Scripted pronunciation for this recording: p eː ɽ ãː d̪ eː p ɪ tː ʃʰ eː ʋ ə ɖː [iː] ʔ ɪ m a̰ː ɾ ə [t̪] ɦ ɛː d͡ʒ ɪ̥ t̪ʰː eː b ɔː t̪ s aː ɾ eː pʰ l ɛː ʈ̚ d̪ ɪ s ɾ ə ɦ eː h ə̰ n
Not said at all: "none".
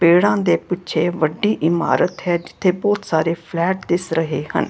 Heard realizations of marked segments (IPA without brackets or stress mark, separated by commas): iː, t̪